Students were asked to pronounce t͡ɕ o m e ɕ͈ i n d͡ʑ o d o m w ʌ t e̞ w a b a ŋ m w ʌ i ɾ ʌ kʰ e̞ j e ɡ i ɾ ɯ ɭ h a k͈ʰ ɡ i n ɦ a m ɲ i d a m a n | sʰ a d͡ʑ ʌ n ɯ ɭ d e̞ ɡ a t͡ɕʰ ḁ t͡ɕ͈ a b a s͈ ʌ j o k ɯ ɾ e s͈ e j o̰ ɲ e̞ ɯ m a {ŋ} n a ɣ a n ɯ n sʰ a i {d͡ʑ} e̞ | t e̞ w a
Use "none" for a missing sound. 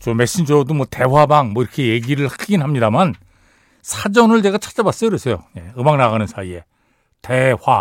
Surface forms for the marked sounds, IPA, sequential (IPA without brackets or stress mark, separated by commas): ŋ, none